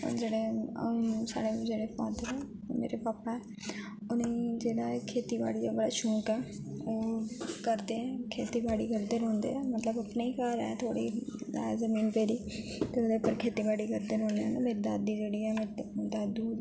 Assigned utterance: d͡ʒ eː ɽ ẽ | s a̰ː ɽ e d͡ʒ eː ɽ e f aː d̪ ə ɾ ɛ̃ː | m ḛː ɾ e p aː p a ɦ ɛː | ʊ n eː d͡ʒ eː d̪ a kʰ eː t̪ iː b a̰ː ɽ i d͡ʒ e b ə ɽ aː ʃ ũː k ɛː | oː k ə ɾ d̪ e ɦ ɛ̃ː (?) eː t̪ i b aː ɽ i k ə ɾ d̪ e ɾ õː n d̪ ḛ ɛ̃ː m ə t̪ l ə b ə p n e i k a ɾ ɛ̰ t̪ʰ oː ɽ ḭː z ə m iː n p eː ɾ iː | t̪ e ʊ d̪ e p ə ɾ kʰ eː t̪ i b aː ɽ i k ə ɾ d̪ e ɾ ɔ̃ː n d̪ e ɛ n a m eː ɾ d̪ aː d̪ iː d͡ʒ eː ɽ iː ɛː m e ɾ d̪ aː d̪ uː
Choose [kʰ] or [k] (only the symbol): kʰ